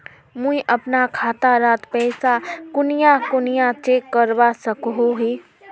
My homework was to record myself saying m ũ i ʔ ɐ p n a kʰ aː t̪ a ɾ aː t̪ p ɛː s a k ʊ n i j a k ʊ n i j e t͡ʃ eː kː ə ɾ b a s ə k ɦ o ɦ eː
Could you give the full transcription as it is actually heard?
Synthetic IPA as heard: m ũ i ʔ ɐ p n a kʰ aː t̪ a ɾ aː t̪ p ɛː s a k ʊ n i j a k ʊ n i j a t͡ʃ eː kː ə ɾ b a s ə k ɦ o ɦ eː